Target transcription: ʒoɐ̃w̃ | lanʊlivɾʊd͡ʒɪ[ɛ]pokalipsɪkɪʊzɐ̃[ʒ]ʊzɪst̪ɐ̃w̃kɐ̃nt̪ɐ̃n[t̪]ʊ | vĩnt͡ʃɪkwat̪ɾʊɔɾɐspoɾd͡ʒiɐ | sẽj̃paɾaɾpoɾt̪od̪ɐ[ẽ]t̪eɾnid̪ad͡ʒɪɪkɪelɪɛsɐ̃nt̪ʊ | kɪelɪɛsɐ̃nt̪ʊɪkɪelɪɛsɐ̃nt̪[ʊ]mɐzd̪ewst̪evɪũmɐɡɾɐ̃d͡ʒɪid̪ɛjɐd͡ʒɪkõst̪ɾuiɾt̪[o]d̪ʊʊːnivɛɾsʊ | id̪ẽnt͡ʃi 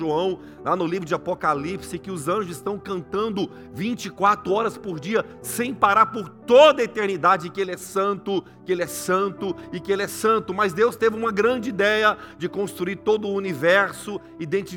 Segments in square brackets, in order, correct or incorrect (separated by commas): incorrect, correct, incorrect, incorrect, correct, correct